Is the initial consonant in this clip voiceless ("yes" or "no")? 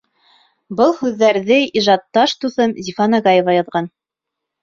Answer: no